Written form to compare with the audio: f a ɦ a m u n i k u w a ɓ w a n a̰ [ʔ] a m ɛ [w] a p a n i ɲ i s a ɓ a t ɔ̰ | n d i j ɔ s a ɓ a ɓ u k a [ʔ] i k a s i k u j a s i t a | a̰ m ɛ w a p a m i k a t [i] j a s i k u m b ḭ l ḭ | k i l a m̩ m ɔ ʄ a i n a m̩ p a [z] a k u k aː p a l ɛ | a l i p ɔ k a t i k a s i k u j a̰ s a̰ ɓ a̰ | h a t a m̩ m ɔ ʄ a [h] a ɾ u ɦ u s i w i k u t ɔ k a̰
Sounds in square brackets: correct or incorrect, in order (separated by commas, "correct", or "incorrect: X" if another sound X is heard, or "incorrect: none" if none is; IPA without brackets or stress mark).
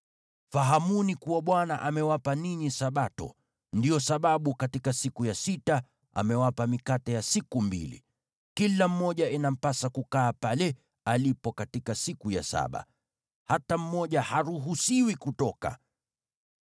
correct, correct, incorrect: t, incorrect: ɛ, incorrect: s, correct